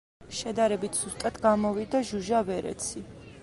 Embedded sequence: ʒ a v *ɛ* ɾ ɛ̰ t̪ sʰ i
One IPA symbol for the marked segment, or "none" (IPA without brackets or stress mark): ɛ